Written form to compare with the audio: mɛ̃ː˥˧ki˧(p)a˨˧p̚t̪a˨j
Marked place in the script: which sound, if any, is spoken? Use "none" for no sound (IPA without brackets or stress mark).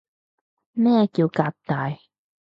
k